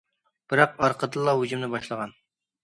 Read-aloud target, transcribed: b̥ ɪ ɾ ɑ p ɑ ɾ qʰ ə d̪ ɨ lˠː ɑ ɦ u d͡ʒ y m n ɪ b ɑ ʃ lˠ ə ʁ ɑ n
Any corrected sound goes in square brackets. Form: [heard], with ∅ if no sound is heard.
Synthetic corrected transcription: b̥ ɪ ɾ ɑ [q] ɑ ɾ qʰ ə d̪ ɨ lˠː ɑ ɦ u d͡ʒ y m n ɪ b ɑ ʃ lˠ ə ʁ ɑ n